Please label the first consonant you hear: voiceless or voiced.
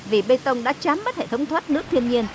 voiced